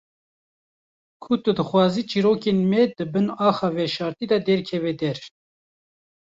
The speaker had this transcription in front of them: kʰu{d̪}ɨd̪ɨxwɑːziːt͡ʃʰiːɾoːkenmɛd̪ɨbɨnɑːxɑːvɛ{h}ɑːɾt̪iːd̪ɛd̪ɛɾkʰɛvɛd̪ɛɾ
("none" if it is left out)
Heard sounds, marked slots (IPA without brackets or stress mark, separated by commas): t̪, ʃ